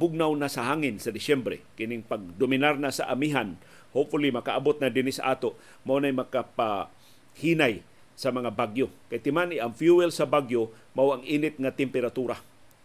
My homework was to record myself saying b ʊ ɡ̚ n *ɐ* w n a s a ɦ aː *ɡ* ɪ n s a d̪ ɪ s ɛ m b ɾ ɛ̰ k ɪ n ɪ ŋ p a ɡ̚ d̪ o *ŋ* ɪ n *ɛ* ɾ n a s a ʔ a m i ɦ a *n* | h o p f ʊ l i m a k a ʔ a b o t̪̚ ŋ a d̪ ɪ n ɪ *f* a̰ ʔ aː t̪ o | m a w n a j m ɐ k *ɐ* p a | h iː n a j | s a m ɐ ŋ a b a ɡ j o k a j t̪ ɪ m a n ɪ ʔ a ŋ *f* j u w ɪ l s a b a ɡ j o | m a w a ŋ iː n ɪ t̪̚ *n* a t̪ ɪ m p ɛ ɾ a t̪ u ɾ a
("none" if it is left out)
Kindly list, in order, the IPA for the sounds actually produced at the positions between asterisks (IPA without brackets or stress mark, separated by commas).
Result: a, ŋ, m, a, n, s, a, f, ŋ